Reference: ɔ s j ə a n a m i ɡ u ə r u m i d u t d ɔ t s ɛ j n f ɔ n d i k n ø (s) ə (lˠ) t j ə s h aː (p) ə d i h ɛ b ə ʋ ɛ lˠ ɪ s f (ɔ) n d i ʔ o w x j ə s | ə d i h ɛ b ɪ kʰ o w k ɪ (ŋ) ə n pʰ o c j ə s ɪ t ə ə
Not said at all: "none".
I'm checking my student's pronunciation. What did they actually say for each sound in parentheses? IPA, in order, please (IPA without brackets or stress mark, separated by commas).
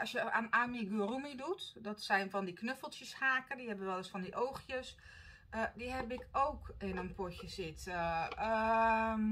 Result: f, lˠ, k, ɔ, n